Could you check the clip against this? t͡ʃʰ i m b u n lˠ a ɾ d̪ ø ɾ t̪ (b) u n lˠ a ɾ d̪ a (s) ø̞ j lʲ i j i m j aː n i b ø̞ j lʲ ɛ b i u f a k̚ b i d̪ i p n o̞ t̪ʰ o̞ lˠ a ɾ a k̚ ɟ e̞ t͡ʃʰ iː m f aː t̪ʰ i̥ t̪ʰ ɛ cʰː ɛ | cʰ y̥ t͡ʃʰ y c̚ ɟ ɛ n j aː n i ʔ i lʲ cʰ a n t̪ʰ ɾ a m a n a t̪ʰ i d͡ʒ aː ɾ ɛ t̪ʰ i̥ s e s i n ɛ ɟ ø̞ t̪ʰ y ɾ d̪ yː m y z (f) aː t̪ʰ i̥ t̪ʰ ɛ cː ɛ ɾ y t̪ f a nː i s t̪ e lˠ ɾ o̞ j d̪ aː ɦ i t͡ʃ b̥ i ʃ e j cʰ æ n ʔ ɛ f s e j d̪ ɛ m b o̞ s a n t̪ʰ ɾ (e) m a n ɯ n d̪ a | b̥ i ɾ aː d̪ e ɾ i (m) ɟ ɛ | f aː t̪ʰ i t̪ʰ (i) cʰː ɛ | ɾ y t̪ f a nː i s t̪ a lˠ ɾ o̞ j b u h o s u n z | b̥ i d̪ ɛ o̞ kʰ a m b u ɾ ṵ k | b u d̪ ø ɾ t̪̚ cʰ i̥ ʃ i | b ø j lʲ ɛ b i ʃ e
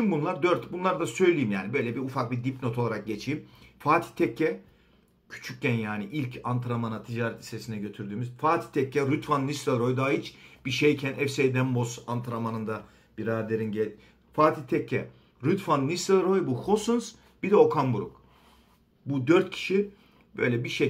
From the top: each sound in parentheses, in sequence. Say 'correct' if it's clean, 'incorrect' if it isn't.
correct, correct, correct, incorrect, incorrect, incorrect

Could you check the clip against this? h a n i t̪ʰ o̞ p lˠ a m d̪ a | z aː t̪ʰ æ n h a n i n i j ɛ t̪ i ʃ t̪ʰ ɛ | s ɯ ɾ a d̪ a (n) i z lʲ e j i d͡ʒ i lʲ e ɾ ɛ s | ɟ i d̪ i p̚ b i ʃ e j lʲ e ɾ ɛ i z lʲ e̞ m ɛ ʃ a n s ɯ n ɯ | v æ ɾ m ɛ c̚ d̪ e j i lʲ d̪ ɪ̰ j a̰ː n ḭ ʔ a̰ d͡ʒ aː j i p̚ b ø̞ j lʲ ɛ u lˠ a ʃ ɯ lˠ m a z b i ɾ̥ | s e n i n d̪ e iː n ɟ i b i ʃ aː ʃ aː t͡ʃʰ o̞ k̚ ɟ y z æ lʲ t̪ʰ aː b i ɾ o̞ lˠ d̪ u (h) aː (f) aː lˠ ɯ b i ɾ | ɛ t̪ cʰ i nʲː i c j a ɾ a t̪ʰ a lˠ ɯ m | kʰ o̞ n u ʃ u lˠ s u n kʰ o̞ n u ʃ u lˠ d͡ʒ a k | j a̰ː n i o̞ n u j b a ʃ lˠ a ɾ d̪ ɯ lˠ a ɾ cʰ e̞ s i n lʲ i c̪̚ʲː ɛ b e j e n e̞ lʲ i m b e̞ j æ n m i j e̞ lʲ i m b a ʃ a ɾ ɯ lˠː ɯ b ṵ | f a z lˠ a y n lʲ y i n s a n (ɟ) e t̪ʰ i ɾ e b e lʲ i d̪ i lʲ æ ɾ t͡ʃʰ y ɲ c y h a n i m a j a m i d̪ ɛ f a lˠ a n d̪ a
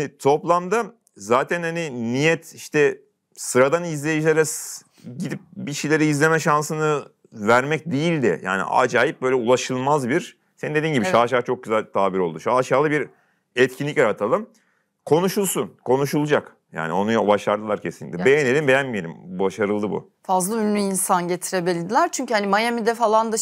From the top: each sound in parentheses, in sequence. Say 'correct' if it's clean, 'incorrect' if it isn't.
correct, incorrect, incorrect, correct

